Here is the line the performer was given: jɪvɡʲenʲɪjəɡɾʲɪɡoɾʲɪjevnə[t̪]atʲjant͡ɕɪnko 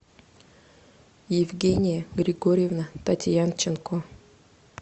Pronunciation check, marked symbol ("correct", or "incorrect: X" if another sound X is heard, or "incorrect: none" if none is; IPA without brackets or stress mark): correct